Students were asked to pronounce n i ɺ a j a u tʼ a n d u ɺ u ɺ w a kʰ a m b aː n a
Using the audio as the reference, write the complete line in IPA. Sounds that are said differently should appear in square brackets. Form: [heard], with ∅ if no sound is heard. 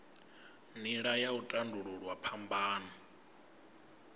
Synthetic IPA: n i ɺ a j a u tʼ a n d u ɺ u ɺ w a [pʰ] a m b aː n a